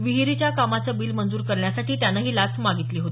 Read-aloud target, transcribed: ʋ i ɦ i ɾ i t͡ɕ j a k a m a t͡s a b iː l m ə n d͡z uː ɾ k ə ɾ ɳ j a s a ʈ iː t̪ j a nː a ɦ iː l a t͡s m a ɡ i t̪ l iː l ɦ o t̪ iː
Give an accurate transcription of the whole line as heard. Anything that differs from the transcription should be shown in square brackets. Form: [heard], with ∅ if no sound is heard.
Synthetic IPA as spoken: ʋ i ɦ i ɾ i t͡ɕ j a k a m a t͡s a b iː l m ə n d͡z uː ɾ k ə ɾ ɳ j a s a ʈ iː t̪ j a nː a ɦ iː l a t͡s m a ɡ i t̪ l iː [∅] ɦ o t̪ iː